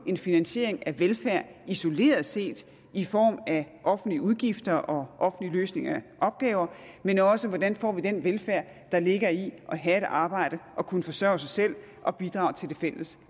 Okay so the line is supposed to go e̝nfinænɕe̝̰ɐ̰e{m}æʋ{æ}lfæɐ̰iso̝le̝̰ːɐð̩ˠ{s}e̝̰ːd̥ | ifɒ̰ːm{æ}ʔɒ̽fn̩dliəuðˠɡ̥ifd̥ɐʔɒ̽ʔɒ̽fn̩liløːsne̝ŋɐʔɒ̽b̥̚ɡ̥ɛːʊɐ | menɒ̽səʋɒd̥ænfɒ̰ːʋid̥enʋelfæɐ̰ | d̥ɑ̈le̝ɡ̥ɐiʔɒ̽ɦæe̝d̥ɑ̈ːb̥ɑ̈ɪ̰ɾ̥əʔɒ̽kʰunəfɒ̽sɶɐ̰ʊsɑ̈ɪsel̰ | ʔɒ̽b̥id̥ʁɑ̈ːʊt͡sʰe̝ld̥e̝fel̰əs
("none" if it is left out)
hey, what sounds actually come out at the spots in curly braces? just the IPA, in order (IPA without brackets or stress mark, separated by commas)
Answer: ŋ, e, s, æ